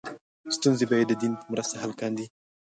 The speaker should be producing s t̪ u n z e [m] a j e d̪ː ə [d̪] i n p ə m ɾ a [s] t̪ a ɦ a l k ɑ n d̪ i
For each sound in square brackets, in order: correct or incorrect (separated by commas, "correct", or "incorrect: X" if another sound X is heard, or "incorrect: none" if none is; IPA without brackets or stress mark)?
incorrect: b, correct, correct